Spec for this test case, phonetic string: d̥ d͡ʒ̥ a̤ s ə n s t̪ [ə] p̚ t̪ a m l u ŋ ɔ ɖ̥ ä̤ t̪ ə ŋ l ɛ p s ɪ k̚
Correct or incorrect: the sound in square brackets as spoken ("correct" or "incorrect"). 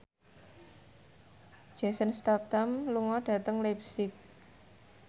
incorrect